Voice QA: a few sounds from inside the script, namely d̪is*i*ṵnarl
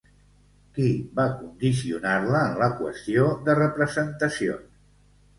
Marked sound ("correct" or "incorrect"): correct